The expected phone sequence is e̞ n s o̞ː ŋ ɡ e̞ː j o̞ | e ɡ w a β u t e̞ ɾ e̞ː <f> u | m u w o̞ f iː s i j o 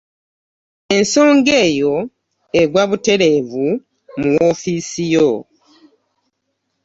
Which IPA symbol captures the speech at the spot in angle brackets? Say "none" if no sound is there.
v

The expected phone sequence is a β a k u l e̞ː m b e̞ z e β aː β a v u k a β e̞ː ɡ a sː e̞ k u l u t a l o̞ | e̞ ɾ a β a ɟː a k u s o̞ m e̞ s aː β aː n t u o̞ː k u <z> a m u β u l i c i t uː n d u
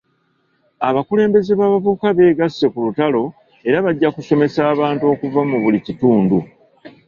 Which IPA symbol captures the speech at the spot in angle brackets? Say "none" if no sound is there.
v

